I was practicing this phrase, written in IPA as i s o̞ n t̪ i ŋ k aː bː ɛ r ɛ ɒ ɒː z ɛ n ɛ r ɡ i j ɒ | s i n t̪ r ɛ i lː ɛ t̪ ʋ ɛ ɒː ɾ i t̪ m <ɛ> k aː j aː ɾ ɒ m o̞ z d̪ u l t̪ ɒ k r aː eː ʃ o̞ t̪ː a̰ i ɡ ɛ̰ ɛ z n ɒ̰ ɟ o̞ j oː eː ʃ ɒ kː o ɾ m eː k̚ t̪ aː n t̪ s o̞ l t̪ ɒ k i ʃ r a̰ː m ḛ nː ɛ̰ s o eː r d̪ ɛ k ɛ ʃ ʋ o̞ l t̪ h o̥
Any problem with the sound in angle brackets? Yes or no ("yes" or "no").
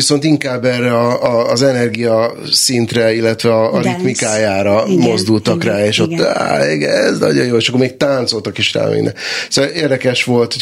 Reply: yes